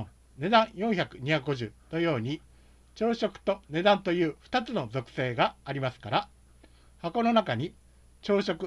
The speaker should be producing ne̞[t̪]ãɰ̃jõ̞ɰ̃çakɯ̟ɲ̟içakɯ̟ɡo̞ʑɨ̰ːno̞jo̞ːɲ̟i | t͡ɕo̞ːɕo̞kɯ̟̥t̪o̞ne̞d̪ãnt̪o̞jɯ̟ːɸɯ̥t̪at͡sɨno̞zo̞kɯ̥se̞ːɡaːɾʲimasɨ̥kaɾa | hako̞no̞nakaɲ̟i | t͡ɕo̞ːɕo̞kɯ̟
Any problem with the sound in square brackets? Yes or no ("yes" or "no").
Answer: yes